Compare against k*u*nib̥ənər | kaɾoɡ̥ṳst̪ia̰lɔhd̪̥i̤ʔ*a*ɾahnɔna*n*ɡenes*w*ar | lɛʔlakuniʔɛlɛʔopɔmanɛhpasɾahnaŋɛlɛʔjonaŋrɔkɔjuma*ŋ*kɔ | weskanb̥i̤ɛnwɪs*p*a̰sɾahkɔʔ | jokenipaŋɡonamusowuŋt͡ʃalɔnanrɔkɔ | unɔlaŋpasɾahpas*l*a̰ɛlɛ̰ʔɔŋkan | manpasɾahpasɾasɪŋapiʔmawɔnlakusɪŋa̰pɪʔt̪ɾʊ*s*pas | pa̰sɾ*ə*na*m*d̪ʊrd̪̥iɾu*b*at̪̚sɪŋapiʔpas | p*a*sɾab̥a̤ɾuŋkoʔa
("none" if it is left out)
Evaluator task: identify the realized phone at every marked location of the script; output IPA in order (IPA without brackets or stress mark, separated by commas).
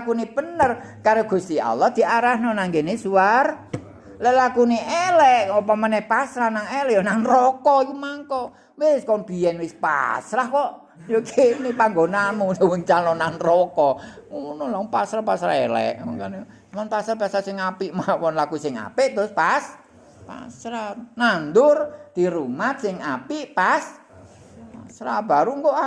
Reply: u, a, ŋ, u, ŋ, p, ɾ, s, a, n, m, a